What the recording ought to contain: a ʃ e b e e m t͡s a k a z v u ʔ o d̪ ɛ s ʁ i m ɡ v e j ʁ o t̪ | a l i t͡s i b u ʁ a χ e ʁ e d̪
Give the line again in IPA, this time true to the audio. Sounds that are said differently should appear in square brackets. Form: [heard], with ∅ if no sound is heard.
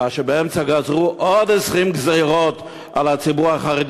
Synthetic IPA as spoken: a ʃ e b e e m t͡s a [ɡ] a z [ʁ] u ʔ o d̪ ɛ s ʁ i m ɡ [z] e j ʁ o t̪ | a l [a] t͡s i b u ʁ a χ [a] ʁ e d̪